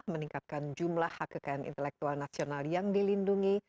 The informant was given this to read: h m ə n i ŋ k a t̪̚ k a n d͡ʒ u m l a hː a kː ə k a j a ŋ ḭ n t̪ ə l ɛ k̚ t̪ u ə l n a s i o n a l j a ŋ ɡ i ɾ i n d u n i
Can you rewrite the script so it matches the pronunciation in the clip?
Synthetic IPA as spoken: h m ə n i ŋ k a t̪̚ k a n d͡ʒ u m l a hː a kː ə k a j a n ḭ n t̪ ə l ɛ k̚ t̪ u a l n a s i o n a l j a ŋ d i l i n d u ŋ i